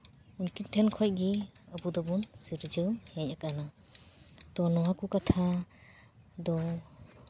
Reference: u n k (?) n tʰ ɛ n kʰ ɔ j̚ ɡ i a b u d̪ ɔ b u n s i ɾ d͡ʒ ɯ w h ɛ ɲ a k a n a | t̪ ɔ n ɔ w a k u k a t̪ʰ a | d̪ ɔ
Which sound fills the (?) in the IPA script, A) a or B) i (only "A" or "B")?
B